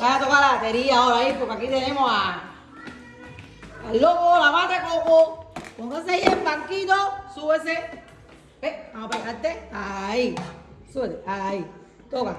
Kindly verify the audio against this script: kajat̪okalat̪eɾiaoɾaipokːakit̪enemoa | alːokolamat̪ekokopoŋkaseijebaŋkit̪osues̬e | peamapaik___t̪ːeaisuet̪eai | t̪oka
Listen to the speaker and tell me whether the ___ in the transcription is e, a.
a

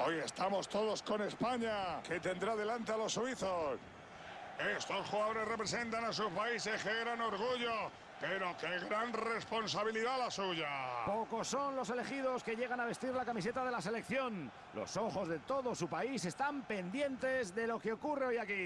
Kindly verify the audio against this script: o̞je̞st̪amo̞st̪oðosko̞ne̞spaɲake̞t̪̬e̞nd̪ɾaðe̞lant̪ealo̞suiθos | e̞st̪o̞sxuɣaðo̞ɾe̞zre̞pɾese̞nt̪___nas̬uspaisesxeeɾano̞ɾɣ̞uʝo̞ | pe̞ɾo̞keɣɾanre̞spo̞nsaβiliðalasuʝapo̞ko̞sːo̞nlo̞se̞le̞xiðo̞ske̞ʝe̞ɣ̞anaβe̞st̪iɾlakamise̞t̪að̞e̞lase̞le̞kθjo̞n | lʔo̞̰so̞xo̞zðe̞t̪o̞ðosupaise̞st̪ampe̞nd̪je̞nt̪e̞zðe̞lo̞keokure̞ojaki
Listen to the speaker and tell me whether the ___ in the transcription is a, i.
a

